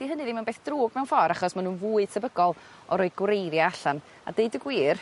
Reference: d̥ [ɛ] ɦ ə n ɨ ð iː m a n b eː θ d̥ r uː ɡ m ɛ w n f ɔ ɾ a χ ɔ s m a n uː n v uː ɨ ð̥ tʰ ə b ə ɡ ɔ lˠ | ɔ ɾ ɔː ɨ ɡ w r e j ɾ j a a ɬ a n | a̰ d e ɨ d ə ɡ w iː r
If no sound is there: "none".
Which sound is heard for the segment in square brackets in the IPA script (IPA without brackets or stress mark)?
i